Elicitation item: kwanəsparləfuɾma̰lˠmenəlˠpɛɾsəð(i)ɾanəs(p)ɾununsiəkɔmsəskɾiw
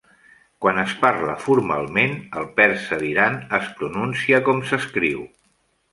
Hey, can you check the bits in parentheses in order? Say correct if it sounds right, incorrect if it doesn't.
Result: correct, correct

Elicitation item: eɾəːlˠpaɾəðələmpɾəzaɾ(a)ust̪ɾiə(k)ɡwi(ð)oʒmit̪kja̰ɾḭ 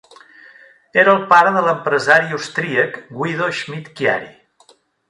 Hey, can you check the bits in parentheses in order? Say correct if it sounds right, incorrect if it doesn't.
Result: incorrect: i, correct, correct

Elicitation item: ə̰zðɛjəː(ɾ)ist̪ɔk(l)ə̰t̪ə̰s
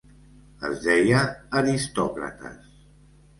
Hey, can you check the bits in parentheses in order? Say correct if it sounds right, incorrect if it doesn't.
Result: correct, incorrect: ɾ

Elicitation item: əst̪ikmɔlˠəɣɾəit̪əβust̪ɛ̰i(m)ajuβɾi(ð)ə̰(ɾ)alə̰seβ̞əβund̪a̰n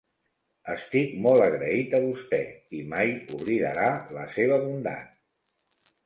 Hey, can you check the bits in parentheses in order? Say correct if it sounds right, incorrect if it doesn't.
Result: correct, correct, correct

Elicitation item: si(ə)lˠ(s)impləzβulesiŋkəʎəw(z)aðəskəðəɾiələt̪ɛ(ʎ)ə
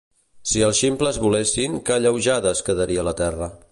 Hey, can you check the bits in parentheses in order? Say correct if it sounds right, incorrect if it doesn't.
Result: correct, incorrect: ʃ, incorrect: ʒ, incorrect: r

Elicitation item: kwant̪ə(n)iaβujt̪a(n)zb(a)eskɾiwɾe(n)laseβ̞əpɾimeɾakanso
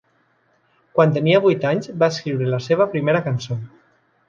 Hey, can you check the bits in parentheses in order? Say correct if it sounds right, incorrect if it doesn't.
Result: correct, incorrect: ɲ, correct, incorrect: none

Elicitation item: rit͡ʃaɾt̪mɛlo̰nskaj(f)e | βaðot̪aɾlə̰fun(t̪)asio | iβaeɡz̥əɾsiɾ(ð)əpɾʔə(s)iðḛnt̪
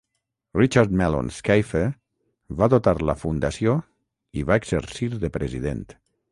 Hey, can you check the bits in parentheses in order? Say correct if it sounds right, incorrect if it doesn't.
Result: correct, incorrect: d̪, correct, incorrect: z

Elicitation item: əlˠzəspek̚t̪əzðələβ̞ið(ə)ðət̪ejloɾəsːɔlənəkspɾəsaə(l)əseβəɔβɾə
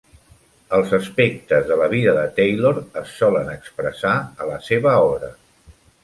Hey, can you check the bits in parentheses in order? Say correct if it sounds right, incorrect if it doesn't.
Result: correct, correct

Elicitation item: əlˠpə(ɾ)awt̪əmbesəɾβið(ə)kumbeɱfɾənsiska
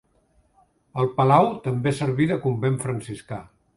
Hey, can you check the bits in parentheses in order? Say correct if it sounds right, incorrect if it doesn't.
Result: incorrect: l, correct

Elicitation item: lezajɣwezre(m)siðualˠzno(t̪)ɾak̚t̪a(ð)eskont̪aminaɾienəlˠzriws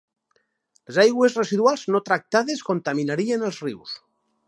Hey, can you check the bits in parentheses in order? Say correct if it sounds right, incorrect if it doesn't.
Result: incorrect: none, correct, correct

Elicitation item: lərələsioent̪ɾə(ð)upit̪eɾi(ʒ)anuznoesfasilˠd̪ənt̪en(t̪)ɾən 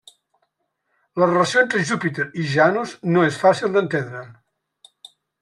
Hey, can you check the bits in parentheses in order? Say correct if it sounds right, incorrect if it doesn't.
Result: incorrect: ʒ, correct, incorrect: d̪

